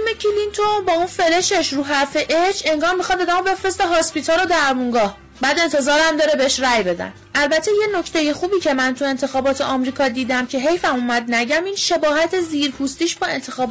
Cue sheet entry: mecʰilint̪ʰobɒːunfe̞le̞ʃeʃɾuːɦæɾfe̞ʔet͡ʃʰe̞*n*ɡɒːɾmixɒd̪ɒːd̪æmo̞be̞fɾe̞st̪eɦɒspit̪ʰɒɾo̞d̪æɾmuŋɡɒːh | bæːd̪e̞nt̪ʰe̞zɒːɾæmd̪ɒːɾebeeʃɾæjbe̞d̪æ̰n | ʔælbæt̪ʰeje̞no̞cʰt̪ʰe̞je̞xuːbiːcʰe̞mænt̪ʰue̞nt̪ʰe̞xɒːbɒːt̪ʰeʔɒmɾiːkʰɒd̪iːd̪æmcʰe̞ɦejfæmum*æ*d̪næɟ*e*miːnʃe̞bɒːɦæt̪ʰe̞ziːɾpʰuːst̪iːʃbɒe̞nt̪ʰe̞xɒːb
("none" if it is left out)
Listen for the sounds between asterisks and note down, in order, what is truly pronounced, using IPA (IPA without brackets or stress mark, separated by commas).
ŋ, æ, æ